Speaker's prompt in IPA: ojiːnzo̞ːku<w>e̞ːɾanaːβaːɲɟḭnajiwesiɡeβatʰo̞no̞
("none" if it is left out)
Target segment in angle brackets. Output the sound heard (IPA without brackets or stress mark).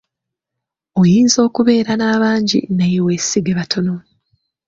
β